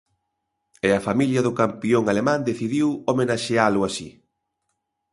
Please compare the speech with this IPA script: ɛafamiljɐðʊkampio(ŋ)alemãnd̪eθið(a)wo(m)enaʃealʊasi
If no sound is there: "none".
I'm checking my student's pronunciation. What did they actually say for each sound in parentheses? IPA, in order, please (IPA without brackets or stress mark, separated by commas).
ŋ, i, m